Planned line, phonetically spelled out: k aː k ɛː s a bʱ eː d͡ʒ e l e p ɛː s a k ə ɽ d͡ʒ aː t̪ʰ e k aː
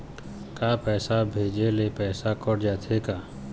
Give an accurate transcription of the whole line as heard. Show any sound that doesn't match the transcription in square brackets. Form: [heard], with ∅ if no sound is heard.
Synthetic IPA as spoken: k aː [p] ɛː s a bʱ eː d͡ʒ e l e p ɛː s a k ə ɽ d͡ʒ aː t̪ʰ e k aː

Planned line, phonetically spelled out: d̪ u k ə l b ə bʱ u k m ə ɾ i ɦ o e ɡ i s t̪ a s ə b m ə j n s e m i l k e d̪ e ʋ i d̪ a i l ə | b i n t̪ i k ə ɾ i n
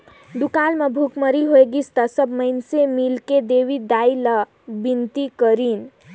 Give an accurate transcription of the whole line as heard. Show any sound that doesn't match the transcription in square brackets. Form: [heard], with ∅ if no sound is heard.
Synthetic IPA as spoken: d̪ u k [a] l [m] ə bʱ u k m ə ɾ i ɦ o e ɡ i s t̪ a s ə b m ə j n s e m i l k e d̪ e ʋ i d̪ a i l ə | b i n t̪ i k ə ɾ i n

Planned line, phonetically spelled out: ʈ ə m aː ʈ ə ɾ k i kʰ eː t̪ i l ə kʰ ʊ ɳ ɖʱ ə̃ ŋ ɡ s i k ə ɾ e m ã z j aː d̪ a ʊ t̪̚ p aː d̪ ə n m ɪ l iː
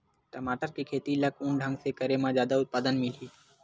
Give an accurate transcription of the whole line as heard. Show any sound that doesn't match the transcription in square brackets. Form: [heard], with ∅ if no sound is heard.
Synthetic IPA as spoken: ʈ ə m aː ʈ ə ɾ k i kʰ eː t̪ i l ə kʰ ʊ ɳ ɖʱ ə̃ ŋ ɡ s [e] k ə ɾ e m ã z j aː d̪ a ʊ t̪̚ p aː d̪ ə n m ɪ l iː

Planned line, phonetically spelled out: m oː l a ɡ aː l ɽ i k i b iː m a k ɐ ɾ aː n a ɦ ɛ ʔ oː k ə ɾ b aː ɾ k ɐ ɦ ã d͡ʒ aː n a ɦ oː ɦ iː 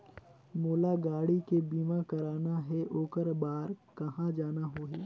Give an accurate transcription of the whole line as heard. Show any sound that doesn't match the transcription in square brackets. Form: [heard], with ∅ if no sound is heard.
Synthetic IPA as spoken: m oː l a ɡ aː [∅] ɽ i k [e] b iː m a k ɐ ɾ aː n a ɦ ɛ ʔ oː k ə ɾ b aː ɾ k ɐ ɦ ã d͡ʒ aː n a ɦ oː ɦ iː

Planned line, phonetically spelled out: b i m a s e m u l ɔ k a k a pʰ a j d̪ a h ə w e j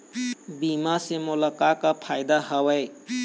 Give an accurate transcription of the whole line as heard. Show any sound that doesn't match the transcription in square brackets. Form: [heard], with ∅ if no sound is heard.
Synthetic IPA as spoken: b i m a s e m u l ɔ k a k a pʰ a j d̪ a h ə w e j

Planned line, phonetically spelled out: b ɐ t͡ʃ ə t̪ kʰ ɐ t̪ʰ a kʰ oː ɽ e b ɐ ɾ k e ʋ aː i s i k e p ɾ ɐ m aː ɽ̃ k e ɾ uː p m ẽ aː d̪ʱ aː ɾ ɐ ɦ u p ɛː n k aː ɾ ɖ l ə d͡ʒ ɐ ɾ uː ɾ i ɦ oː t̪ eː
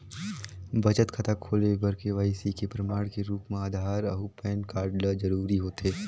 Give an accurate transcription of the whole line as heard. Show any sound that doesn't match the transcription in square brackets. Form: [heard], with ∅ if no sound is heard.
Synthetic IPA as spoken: b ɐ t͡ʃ ə t̪ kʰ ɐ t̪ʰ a kʰ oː [l] e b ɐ ɾ k e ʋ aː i s i k e p ɾ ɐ m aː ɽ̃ k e ɾ uː p m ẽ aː d̪ʱ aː ɾ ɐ ɦ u p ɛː n k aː ɾ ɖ l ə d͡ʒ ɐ ɾ uː ɾ i ɦ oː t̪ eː

